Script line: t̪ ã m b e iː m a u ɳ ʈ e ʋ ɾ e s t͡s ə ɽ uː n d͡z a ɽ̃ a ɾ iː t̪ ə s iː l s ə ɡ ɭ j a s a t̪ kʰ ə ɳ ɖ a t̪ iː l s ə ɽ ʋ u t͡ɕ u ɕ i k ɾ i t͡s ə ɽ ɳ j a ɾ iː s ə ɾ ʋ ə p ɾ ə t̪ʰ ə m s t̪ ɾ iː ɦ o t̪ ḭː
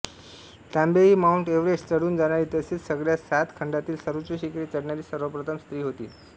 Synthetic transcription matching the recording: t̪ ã m b e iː m a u ɳ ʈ e ʋ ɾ e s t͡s ə ɽ uː n d͡z a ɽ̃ a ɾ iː t̪ ə s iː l s ə ɡ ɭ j a s a t̪ kʰ ə ɳ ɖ a t̪ iː l s ə ɾ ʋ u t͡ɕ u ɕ i k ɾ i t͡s ə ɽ ɳ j a ɾ iː s ə ɾ ʋ ə p ɾ ə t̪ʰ ə m s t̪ ɾ iː ɦ o t̪ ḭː

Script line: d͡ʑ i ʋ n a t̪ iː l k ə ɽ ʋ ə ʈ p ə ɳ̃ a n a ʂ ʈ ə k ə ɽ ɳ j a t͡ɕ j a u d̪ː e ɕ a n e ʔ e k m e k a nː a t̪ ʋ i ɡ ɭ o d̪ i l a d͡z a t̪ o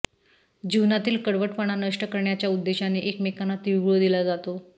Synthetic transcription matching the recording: d͡ʑ i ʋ n a t̪ iː l k ə ɽ ʋ ə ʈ p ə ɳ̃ a n ə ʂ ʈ ə k ə ɾ ɳ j a t͡ɕ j a u d̪ː e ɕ a n e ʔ e k m e k a n a t̪ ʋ i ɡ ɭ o d̪ i l a d͡z a t̪ o

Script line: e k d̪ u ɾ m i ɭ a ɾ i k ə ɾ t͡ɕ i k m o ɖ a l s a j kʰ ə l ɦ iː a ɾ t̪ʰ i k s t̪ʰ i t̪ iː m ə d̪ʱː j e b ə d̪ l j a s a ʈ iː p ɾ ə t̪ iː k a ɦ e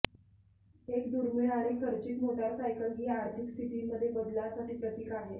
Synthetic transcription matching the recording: e k d̪ u ɾ m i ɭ a ɾ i k ə ɾ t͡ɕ i k m o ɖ a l s a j k ə l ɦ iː a ɾ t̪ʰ i k s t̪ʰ i t̪ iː m ə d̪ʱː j e b ə d̪ l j a s a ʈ iː p ɾ ə t̪ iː k a ɦ e

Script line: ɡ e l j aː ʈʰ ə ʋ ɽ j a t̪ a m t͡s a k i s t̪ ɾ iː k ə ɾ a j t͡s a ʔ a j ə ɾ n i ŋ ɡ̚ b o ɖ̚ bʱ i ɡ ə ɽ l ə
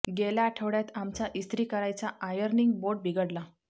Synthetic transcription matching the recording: ɡ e l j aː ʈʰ ə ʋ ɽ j a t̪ a m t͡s a ʔ i s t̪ ɾ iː k ə ɾ a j t͡s a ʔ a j ə ɾ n i ŋ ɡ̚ b o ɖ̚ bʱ i ɡ ə ɽ l a

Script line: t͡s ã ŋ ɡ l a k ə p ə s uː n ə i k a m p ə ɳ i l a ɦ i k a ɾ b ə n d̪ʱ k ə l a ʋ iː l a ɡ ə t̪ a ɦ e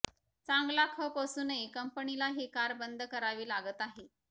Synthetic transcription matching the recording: t͡s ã ŋ ɡ l a kʰ ə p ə s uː n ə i k ə m p ə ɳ i l a ɦ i k a ɾ b ə n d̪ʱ k ə ɾ a ʋ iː l a ɡ ə t̪ a ɦ e

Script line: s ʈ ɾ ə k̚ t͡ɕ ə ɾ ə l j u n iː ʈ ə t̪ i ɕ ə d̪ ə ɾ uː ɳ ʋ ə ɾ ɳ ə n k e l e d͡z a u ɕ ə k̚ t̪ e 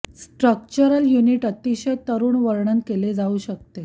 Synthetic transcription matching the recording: s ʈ ɾ ə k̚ t͡ɕ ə ɾ ə l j u n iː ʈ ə t̪ i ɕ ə t̪ ə ɾ uː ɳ ʋ ə ɾ ɳ ə n k e l e d͡z a u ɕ ə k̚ t̪ e

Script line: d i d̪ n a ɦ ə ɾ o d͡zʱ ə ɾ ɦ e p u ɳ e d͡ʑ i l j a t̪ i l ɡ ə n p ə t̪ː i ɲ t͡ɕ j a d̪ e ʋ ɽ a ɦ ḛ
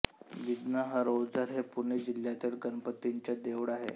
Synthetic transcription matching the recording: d i d̪ n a ɦ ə ɾ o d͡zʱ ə ɾ ɦ e p u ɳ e d͡ʑ i l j a t̪ i l ɡ ə n p ə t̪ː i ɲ t͡ɕ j a d̪ e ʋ ɽ a ɦ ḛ

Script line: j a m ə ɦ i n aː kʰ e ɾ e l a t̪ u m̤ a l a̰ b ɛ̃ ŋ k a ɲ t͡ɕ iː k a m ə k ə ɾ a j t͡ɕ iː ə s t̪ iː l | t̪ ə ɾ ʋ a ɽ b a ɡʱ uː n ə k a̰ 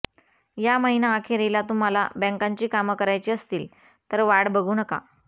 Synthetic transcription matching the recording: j a m ə ɦ i n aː kʰ e ɾ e l a t̪ u m̤ a l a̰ b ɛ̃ ŋ k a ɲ t͡ɕ iː k a m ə k ə ɾ a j t͡ɕ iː ə s t̪ iː l | t̪ ə ɾ ʋ a ɽ b ə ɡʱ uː n ə k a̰

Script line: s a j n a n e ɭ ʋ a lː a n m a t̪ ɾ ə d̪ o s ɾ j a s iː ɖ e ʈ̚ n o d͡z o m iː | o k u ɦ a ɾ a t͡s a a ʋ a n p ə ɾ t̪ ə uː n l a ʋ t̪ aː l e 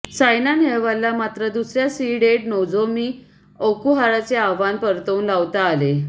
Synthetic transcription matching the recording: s a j n a n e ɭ ʋ a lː a m a t̪ ɾ ə d̪ u s ɾ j a s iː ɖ e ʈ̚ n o d͡z o m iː | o k u ɦ a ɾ a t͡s e a ʋ a n p ə ɾ t̪ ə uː n l a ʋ t̪ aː l e

